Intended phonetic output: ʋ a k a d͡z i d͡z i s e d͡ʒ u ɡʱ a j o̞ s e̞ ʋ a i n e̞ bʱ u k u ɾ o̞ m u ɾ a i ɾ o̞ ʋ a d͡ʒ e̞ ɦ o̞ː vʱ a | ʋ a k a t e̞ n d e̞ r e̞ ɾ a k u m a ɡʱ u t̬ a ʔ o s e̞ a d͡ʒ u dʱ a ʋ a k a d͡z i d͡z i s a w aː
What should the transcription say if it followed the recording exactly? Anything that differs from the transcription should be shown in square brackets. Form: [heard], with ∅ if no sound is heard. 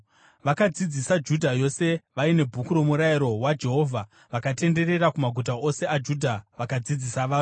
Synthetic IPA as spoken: ʋ a k a d͡z i d͡z i s [a] d͡ʒ u [dʱ] a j o̞ s e̞ ʋ a i n e̞ bʱ u k u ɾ o̞ m u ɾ a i ɾ o̞ [w] a d͡ʒ e̞ ɦ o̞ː vʱ a | ʋ a k a t e̞ n d e̞ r e̞ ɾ a k u m a ɡʱ u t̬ a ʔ o s e̞ a d͡ʒ u dʱ a ʋ a k a d͡z i d͡z i s a [ʋ] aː